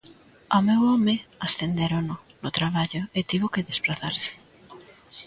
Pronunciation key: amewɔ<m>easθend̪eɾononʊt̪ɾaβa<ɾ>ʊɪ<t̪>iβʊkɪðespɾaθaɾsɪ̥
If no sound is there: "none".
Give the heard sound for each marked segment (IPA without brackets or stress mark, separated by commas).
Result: m, ʎ, t̪